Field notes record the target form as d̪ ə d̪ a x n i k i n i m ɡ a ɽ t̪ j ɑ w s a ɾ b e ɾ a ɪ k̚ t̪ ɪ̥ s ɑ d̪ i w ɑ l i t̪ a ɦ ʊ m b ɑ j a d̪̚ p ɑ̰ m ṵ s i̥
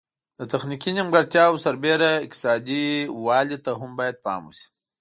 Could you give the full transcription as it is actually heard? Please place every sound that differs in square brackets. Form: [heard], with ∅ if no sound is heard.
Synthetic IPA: d̪ ə [t̪] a x n i k i n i m ɡ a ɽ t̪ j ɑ w s a ɾ b e ɾ a ɪ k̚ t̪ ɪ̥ s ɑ d̪ i w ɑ l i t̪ a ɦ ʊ m b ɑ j a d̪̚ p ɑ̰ m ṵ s i̥

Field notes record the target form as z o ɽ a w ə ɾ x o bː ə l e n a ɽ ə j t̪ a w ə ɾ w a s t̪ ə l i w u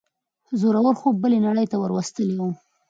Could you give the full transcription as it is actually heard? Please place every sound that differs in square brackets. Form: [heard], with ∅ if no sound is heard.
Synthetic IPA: z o [ɾ] a w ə ɾ x o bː ə l e n a ɽ ə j t̪ a w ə ɾ w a s t̪ ə l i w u

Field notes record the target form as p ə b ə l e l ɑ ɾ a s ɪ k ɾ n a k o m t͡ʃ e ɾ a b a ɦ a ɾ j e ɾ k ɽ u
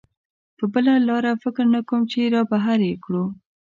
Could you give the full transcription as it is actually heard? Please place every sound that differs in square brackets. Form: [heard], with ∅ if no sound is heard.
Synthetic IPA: p ə b ə l [a] l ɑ ɾ a [f] ɪ k ɾ n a k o m t͡ʃ e ɾ [ɑ] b a ɦ a ɾ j e [∅] k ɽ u

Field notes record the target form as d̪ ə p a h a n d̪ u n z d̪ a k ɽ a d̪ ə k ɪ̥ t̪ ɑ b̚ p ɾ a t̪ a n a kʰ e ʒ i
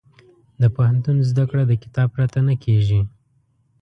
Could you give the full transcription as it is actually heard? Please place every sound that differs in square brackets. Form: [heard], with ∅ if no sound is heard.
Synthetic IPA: d̪ ə p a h a n [t̪] u n z d̪ a k ɽ a d̪ ə k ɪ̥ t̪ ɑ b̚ p ɾ a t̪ a n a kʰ e ʒ i

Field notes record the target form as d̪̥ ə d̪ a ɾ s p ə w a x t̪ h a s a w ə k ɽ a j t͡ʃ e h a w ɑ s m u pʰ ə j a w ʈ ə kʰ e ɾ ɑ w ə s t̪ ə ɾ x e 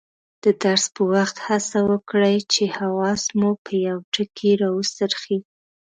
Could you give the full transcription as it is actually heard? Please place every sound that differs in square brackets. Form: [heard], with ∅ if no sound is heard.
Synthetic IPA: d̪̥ ə d̪ a ɾ s p ə w a x t̪ h a s a w ə k ɽ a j t͡ʃ e h a w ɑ s m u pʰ ə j a w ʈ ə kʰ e ɾ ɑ w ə s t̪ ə ɾ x [i]

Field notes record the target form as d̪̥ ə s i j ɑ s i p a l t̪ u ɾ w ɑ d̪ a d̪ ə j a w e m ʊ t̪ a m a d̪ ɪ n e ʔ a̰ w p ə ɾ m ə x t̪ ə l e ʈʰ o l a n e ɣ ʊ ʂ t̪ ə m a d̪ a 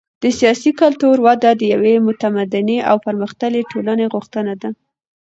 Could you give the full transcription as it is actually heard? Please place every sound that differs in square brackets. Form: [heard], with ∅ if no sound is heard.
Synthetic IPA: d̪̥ ə s i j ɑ s i [k] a l t̪ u ɾ w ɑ d̪ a d̪ ə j a w e m ʊ t̪ a m a d̪ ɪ n e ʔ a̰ w p ə ɾ m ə x t̪ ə l e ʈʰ o l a n e ɣ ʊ [x] t̪ ə [n] a d̪ a

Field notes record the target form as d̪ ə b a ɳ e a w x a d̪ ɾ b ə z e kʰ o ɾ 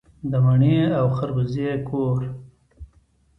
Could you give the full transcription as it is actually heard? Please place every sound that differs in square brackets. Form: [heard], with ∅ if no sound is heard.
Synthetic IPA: d̪ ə [m] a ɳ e a w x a [∅] ɾ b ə z e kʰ o ɾ

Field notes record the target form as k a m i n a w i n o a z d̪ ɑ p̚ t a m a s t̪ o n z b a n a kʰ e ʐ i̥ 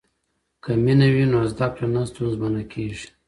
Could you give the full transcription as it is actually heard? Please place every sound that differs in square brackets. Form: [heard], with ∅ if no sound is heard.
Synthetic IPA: k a m i n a w i n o a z d̪ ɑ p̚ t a [n] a s t̪ [u] n z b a n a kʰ e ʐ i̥

